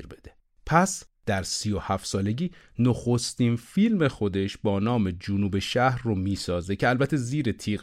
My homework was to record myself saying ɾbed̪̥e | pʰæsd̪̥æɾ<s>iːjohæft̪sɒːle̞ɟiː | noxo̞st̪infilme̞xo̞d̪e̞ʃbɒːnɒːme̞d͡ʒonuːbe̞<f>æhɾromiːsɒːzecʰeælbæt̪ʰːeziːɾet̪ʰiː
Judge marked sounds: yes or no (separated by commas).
yes, no